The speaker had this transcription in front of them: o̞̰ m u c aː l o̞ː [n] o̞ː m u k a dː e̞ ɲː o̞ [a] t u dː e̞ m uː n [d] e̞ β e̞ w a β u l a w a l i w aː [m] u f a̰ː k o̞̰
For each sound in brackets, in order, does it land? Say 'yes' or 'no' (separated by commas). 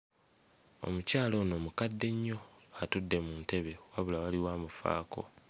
yes, yes, no, yes